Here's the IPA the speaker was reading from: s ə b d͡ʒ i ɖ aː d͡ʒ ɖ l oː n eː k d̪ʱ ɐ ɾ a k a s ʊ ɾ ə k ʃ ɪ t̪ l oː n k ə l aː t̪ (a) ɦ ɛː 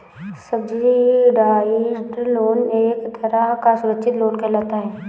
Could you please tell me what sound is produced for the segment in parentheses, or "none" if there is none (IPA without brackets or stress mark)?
a